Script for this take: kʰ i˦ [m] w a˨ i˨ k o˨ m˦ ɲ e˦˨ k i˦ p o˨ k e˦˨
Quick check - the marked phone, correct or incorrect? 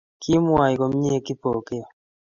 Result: correct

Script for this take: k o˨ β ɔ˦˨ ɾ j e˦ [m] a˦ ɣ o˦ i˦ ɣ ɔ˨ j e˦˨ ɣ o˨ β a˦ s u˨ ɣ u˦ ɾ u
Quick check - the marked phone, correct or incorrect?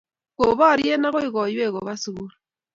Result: incorrect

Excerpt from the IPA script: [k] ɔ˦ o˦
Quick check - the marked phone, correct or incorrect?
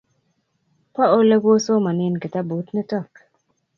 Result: incorrect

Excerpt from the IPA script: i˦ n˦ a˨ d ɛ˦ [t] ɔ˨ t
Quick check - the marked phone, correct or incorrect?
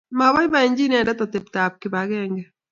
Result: correct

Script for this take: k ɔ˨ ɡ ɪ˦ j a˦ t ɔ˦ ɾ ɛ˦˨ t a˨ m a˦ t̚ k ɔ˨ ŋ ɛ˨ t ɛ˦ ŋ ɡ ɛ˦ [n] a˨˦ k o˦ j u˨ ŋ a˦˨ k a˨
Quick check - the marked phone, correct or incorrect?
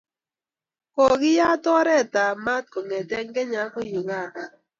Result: incorrect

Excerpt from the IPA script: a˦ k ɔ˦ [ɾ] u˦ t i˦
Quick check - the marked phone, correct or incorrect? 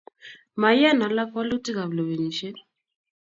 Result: incorrect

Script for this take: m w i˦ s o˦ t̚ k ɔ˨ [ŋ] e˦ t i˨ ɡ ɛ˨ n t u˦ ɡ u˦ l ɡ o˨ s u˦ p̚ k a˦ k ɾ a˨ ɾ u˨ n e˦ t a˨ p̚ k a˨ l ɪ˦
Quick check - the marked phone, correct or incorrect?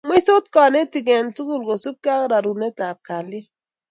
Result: incorrect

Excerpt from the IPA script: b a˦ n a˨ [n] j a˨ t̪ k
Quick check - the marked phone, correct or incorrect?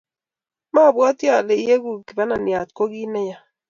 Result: correct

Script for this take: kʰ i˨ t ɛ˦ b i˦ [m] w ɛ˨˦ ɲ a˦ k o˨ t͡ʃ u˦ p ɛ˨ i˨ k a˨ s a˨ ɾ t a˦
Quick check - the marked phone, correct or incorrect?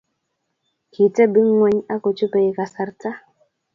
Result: incorrect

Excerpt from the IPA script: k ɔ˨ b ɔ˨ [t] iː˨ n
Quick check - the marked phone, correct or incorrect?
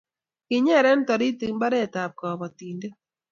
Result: correct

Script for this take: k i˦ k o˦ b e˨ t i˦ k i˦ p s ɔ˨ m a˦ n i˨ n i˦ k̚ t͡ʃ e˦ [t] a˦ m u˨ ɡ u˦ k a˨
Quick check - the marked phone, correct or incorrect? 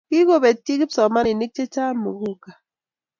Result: incorrect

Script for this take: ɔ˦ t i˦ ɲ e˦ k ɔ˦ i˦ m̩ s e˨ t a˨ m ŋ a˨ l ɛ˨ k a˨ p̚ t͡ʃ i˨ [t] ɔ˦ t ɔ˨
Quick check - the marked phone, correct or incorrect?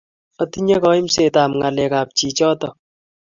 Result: incorrect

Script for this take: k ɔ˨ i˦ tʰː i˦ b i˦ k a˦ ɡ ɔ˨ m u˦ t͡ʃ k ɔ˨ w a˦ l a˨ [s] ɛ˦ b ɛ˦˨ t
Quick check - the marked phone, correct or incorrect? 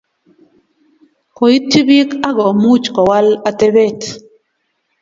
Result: incorrect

